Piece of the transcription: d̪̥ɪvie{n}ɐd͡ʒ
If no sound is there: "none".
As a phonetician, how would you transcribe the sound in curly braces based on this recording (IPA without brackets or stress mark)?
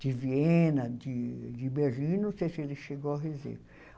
n